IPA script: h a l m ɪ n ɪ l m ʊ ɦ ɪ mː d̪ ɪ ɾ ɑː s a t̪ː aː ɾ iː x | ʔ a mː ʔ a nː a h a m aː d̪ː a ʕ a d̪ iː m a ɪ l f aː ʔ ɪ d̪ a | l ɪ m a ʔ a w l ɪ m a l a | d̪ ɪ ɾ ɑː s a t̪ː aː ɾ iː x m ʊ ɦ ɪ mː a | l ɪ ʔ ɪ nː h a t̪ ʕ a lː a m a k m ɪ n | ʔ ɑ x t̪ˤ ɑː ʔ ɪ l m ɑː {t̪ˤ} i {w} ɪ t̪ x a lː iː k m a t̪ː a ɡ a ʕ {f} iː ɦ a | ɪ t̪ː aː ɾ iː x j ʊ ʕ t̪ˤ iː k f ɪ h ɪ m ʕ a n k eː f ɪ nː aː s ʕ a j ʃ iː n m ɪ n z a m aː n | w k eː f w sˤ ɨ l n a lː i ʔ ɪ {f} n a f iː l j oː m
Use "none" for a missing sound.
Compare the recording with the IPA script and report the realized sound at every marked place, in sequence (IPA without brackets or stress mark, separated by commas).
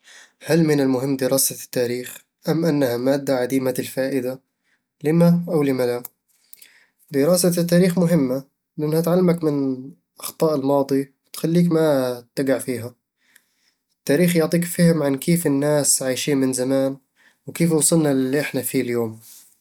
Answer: d̪ˤ, w, f, ħ